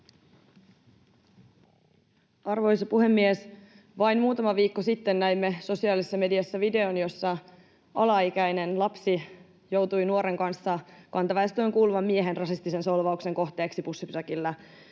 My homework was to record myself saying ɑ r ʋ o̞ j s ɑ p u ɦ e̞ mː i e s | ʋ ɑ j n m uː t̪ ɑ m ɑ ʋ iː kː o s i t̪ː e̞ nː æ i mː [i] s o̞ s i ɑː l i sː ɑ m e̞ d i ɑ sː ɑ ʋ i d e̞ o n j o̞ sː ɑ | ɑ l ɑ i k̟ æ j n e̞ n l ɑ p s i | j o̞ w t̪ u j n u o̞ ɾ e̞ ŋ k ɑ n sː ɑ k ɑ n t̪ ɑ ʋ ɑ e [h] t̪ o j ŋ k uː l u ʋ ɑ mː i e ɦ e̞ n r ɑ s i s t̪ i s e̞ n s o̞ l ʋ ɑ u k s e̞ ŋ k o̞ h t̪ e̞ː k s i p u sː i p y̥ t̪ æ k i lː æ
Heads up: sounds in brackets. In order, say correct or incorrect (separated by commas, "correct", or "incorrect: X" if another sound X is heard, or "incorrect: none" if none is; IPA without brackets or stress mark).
incorrect: e, incorrect: s